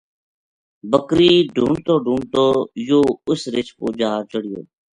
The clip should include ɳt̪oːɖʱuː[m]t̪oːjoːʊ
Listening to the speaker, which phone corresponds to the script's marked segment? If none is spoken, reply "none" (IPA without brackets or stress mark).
ɳ